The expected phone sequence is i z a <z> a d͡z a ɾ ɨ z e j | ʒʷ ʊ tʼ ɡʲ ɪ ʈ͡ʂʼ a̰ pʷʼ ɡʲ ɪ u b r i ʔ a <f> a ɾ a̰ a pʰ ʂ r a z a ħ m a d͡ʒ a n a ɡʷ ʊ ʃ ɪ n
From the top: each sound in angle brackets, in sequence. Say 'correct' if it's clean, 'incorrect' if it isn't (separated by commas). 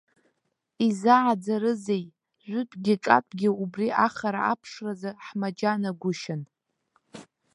incorrect, incorrect